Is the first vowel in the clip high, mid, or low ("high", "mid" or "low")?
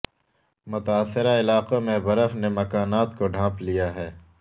high